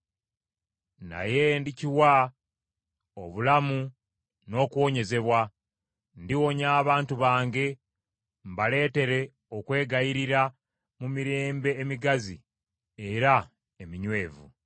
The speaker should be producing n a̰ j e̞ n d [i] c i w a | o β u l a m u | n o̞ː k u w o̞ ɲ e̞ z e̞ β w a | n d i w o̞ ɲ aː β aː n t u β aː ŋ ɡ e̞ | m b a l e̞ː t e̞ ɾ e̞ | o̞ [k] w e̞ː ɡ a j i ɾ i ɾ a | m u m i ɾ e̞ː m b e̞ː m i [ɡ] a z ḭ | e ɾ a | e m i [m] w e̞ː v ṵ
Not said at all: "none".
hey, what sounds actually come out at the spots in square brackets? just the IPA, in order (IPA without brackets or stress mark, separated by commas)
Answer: i, k, ɡ, ɲ